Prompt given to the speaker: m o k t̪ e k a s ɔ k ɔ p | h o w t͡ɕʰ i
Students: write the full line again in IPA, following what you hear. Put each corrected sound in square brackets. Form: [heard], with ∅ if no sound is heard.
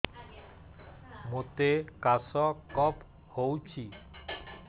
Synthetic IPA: m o [∅] t̪ e k a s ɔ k ɔ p | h o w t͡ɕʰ i